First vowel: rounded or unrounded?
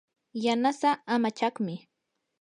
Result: unrounded